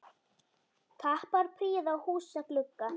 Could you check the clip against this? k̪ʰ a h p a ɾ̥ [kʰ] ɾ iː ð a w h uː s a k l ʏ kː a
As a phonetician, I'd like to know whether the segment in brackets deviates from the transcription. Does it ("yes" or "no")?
yes